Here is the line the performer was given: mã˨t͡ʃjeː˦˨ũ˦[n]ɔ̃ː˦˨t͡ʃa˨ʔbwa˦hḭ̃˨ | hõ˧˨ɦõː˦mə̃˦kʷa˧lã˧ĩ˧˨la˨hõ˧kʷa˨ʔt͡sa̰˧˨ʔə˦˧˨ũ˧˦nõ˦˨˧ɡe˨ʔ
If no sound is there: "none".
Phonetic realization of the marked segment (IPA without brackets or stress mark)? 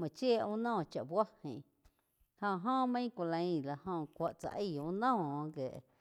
n